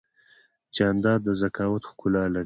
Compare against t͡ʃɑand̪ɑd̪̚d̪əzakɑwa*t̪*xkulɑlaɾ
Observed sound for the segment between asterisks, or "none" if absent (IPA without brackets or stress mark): t̪